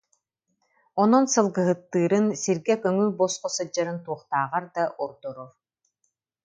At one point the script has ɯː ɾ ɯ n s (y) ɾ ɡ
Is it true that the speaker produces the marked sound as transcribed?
no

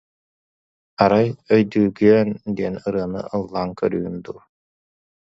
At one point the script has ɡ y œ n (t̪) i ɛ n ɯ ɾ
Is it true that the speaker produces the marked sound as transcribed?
no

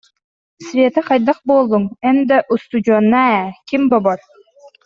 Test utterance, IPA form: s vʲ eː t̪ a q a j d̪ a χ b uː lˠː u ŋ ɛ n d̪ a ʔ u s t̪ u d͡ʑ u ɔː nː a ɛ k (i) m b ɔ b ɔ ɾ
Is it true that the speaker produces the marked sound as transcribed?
yes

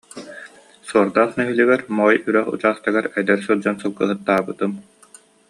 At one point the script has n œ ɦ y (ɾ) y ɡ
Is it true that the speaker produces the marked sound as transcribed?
no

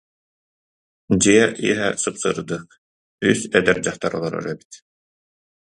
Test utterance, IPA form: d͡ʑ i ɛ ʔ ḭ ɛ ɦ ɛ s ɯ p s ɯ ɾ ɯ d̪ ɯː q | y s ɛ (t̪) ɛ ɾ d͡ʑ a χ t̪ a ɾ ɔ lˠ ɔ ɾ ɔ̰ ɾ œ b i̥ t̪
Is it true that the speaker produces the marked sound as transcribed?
no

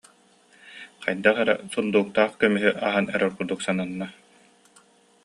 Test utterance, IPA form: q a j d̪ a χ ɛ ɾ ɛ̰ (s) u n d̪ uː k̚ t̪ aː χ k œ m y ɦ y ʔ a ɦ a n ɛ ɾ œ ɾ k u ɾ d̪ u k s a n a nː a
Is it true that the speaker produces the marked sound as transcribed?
yes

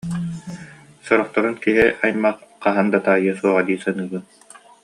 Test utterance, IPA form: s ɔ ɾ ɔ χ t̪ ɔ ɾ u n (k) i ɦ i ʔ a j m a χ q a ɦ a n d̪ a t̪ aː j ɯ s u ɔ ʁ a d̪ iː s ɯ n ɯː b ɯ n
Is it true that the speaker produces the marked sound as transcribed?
yes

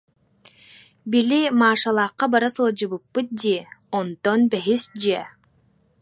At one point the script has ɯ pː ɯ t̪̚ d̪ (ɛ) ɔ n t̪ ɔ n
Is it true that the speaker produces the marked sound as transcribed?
no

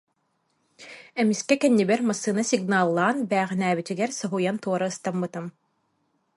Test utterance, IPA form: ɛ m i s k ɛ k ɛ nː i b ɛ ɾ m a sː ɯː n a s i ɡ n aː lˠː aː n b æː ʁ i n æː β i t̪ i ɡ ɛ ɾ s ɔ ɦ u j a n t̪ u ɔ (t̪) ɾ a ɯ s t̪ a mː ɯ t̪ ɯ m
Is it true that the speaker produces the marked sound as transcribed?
no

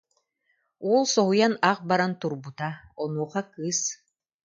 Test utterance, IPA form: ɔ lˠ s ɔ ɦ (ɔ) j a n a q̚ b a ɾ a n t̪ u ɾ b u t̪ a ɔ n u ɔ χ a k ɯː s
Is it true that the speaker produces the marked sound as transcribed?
no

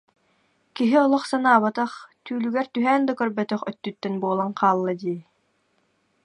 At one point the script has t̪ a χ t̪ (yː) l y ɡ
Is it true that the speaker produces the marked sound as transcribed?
yes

